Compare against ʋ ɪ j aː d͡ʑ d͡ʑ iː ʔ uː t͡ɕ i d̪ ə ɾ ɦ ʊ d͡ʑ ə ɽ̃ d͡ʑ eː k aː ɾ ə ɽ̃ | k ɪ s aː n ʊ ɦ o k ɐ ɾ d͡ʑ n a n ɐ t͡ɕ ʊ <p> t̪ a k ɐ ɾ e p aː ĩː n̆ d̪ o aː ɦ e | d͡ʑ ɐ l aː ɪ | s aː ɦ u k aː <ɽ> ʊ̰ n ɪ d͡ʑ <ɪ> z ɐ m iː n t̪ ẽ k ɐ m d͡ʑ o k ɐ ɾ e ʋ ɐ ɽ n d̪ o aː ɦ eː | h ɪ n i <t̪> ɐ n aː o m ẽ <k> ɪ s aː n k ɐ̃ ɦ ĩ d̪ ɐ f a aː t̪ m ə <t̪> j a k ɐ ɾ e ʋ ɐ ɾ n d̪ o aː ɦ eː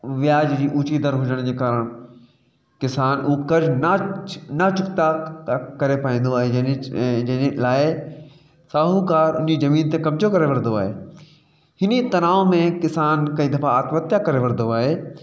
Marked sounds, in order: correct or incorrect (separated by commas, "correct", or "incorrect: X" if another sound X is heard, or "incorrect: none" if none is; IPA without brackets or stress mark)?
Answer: incorrect: k, incorrect: ɾ, incorrect: i, correct, correct, correct